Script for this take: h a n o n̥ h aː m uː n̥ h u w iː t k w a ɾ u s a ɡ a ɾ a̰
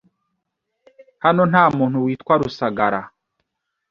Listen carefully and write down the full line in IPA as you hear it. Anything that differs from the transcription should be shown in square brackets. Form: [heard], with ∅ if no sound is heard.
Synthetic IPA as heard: h a n o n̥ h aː m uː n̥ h u w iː t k w a ɾ u s a ɡ a ɾ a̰